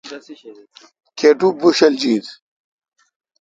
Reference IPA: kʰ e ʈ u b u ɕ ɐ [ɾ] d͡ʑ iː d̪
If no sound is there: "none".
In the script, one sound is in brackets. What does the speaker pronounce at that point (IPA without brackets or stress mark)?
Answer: l